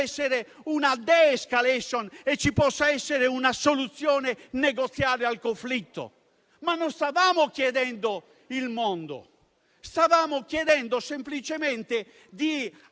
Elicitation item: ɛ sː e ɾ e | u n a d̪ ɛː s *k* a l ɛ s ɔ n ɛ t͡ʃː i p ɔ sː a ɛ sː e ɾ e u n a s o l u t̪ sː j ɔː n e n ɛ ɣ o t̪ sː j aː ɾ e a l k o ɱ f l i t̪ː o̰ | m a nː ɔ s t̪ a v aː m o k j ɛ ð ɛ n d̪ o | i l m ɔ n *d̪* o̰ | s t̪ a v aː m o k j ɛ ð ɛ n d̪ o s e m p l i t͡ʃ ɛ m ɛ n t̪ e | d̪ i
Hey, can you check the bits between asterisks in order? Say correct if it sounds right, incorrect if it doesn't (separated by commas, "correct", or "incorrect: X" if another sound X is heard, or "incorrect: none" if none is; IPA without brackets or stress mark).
correct, correct